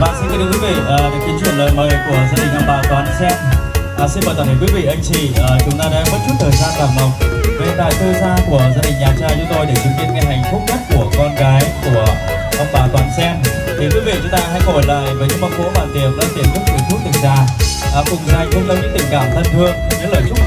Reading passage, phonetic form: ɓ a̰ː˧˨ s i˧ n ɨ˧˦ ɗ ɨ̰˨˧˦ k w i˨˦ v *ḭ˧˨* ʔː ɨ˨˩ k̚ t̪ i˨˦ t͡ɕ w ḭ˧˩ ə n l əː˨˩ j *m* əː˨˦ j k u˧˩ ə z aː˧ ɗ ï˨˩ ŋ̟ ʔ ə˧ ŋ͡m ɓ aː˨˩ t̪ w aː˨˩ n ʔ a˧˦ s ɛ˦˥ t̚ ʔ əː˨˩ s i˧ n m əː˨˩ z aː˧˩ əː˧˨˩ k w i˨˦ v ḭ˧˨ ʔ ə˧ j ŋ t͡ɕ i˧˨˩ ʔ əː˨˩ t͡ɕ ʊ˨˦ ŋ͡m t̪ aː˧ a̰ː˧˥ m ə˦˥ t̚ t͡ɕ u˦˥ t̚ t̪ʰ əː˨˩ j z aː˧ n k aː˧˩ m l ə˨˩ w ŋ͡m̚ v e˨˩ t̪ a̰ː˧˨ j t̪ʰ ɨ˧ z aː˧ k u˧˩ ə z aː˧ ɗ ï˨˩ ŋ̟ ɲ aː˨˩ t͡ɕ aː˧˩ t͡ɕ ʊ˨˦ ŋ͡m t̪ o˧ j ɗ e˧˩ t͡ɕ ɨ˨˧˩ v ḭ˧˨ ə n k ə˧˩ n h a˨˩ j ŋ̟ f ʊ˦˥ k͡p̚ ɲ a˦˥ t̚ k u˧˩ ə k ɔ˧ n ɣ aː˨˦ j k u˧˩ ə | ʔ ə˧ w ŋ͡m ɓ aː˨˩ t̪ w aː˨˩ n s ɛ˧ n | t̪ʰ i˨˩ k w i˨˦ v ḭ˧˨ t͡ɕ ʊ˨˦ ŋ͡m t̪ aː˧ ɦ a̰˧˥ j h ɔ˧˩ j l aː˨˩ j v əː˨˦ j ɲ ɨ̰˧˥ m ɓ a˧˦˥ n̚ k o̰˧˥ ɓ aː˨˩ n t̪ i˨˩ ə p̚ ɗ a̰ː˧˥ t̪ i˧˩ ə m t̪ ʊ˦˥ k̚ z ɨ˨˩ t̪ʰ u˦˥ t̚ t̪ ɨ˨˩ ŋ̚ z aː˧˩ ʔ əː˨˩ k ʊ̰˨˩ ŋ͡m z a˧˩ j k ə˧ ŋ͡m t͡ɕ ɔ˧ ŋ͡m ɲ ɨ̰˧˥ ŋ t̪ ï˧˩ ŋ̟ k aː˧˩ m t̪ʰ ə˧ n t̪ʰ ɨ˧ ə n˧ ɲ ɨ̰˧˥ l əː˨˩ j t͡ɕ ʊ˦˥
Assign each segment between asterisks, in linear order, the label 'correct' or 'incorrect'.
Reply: correct, correct

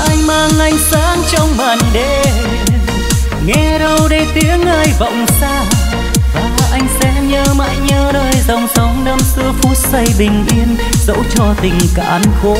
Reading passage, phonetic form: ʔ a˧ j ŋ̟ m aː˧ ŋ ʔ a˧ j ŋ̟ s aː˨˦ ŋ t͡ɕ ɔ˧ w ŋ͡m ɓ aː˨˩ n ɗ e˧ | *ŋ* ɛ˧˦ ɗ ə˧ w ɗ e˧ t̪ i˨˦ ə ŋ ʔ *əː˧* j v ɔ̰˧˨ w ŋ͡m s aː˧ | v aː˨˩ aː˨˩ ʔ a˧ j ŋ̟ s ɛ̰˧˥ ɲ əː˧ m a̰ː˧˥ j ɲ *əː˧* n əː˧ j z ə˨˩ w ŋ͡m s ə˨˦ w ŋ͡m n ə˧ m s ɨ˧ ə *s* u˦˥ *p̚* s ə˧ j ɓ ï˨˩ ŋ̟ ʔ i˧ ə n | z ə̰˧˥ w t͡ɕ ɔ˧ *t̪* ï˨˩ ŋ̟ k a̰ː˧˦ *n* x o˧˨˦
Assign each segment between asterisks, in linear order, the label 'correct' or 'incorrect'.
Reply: correct, incorrect: aː˧, correct, incorrect: f, incorrect: t̚, correct, correct

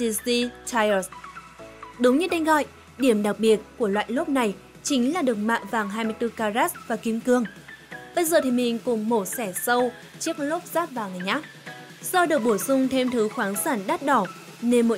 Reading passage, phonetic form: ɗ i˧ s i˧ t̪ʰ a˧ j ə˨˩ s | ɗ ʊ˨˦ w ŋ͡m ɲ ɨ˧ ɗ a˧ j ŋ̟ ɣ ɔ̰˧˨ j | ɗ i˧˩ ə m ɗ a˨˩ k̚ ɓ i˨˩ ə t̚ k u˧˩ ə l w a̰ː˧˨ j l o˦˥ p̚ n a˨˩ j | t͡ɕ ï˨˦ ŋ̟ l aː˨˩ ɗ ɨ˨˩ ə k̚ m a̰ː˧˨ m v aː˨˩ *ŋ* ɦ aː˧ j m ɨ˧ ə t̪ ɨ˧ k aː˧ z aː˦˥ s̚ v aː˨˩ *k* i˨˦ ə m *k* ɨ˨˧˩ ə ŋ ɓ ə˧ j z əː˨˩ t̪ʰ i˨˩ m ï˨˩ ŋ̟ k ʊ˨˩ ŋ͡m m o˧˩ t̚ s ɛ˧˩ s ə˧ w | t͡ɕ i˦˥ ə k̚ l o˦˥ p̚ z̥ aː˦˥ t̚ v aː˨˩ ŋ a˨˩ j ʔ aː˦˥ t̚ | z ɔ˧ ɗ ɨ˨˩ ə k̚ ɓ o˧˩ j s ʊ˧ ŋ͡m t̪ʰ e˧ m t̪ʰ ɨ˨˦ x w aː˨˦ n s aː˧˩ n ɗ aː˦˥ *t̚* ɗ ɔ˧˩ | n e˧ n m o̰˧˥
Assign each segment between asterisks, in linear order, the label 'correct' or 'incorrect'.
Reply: correct, correct, correct, correct

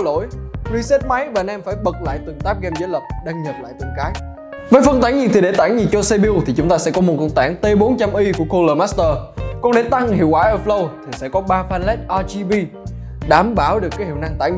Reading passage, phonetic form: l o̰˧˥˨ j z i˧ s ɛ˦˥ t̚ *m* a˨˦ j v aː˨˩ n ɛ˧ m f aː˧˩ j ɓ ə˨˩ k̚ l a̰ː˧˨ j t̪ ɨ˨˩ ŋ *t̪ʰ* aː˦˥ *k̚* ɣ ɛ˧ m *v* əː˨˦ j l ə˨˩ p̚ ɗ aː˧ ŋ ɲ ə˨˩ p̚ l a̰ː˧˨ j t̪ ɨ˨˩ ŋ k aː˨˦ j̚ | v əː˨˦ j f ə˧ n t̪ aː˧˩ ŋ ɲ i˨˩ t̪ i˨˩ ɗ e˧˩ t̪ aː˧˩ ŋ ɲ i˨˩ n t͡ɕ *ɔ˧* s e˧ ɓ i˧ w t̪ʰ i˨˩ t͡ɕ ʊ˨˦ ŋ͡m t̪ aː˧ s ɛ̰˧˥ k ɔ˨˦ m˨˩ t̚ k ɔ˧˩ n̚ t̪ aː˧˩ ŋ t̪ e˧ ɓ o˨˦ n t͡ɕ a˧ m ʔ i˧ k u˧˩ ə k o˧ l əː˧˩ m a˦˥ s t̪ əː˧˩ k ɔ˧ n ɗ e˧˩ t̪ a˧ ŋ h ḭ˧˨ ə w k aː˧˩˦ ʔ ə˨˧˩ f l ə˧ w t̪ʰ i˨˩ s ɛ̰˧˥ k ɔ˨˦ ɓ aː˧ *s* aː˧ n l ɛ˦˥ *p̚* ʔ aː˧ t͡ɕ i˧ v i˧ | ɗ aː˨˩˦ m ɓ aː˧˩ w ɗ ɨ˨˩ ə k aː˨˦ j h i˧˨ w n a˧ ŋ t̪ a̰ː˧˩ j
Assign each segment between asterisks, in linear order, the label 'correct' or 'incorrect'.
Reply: correct, incorrect: t̪, incorrect: p̚, incorrect: z, correct, incorrect: f, incorrect: t̚

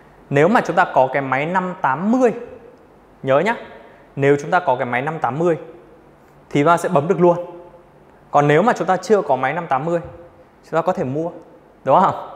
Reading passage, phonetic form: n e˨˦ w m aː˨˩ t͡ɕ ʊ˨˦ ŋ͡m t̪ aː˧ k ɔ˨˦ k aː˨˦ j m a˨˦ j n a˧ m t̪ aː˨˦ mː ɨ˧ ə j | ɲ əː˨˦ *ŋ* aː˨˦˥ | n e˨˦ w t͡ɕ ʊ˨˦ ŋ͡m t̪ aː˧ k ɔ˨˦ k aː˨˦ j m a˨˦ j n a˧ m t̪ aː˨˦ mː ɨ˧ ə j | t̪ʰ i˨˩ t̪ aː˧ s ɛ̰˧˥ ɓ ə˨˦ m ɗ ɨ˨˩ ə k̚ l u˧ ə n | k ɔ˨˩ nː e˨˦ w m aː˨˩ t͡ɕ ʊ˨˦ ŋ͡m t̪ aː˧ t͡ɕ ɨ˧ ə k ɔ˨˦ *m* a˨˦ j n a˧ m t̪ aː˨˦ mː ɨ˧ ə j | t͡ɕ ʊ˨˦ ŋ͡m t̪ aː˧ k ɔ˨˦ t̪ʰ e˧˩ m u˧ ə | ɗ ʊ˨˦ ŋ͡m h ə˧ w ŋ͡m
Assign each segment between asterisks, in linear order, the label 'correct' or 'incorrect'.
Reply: incorrect: ɲ, correct

